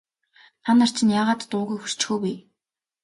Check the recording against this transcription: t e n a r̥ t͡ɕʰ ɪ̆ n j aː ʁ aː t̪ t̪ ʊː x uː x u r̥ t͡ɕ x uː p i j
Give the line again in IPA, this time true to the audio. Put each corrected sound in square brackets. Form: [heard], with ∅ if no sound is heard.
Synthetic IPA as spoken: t [a] n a r̥ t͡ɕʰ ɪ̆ n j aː ʁ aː t̪ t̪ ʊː [ɣ] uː x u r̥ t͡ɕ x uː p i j